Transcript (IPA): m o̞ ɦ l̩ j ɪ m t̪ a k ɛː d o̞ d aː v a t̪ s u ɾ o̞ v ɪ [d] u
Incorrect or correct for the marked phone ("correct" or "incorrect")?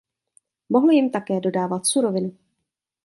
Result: incorrect